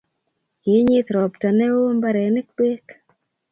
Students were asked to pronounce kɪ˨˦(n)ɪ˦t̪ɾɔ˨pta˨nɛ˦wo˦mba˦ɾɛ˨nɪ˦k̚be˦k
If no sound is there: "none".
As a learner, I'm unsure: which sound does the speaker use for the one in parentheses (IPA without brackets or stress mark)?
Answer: ɲ